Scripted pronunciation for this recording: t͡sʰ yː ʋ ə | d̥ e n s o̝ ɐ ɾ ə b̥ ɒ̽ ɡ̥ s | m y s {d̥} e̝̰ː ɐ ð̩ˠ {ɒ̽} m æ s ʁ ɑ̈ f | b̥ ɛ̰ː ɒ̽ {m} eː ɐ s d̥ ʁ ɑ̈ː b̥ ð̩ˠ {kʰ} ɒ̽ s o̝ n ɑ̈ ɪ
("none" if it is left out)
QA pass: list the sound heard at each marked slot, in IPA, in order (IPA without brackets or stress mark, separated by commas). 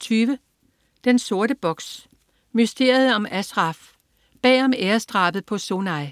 d̥, ɒ̽, m, pʰ